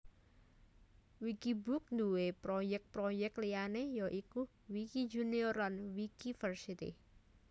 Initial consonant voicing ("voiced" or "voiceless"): voiced